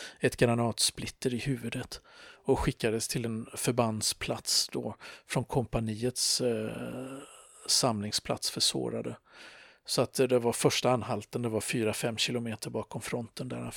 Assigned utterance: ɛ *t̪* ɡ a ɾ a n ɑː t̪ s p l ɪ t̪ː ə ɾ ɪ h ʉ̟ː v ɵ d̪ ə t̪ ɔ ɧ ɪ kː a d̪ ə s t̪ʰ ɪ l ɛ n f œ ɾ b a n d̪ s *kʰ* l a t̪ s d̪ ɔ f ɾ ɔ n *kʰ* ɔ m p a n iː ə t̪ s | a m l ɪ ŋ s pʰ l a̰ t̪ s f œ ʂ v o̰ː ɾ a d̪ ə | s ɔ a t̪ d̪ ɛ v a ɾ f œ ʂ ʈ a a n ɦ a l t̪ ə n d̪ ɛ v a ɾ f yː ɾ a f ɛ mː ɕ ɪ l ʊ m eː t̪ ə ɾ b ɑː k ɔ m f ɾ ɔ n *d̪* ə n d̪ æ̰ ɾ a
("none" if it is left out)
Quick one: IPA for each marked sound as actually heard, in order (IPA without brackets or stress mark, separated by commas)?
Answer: t̪, pʰ, kʰ, t̪